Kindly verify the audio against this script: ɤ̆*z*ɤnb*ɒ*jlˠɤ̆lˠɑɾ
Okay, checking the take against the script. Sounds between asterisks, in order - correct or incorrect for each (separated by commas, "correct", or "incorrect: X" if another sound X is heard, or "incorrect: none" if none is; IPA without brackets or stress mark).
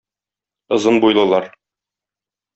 correct, incorrect: u